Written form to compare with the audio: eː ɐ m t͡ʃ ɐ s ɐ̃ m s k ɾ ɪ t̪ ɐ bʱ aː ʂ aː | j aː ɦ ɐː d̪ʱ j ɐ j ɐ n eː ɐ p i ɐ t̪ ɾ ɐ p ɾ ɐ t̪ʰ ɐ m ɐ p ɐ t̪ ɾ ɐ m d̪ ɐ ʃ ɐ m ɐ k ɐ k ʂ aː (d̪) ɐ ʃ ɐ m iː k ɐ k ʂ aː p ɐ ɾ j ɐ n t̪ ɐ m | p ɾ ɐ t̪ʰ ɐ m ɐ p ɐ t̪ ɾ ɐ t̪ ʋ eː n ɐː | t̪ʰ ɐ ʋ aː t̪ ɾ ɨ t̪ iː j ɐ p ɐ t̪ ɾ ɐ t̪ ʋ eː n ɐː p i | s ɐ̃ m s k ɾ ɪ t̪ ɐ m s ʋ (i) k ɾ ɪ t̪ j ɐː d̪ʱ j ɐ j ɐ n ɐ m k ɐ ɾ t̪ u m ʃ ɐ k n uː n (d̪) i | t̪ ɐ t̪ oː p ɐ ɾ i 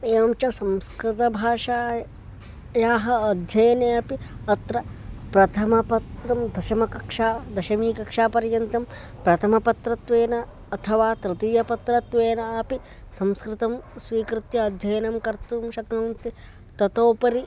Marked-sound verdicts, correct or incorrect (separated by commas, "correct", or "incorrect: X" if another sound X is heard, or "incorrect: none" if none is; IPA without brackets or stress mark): correct, incorrect: iː, incorrect: t̪